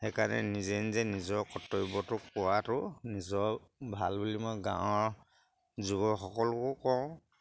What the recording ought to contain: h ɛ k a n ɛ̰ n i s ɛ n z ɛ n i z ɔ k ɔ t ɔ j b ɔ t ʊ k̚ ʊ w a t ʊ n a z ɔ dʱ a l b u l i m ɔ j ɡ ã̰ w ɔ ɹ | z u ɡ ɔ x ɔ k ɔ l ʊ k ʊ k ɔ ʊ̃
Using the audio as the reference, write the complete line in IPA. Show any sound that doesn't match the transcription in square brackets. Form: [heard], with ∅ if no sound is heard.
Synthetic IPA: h ɛ k a n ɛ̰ n i [z] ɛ n z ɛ n i z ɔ k ɔ t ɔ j b ɔ t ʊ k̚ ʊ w a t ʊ n [i] z ɔ [bʱ] a l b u l i m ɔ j ɡ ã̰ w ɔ ɹ | z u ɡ ɔ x ɔ k ɔ l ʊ k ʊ k ɔ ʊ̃